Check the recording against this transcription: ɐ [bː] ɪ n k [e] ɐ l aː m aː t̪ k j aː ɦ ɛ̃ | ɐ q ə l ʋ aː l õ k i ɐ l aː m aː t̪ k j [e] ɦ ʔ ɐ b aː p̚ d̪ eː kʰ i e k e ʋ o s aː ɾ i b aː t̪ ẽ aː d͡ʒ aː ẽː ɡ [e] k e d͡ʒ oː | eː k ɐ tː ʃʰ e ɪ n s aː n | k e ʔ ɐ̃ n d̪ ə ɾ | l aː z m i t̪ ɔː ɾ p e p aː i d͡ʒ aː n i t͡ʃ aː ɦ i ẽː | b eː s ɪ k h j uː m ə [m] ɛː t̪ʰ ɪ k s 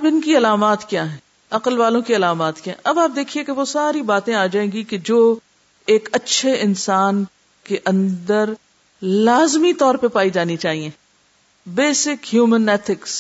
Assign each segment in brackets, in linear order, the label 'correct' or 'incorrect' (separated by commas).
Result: incorrect, incorrect, incorrect, incorrect, incorrect